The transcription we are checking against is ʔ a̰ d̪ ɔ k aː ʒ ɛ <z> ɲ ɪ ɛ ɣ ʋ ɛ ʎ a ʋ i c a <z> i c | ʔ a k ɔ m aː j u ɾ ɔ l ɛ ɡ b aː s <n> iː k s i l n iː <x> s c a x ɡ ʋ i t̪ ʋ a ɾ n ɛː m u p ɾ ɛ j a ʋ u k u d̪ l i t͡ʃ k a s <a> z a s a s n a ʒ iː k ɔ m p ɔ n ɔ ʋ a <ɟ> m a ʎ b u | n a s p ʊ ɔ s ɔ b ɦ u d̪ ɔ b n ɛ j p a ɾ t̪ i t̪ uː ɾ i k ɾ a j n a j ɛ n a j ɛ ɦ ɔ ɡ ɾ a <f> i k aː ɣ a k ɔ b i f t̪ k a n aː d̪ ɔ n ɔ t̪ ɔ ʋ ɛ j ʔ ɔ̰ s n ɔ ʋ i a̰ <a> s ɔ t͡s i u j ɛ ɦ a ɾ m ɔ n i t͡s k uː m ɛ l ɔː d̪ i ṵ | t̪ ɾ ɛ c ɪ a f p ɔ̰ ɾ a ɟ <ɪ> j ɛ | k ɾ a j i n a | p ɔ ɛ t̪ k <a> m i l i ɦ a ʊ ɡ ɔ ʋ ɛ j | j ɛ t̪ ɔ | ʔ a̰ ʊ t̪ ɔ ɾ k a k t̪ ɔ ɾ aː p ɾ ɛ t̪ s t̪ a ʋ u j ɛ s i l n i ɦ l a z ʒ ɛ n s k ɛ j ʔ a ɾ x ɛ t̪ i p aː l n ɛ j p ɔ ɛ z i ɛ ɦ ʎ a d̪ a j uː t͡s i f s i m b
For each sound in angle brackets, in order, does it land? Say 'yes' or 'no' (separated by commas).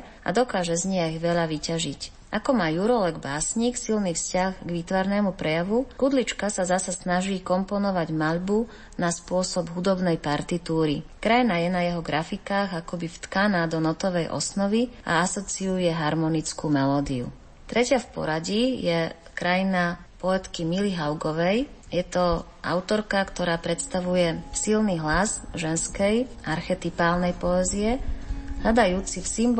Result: yes, no, no, no, yes, yes, yes, yes, no, no